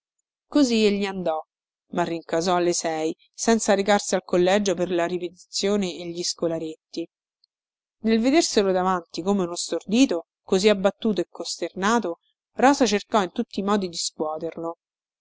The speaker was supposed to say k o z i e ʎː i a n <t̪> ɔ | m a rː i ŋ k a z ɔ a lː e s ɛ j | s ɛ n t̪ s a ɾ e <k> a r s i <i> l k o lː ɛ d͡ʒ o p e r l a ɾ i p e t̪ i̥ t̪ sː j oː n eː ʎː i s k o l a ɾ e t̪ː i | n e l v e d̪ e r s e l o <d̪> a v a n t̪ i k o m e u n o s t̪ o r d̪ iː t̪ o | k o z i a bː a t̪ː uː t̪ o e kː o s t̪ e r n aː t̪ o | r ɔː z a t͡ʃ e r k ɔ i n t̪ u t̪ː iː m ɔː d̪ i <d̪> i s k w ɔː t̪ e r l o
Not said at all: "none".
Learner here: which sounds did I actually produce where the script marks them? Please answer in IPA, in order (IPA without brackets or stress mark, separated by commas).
d̪, k, a, d̪, d̪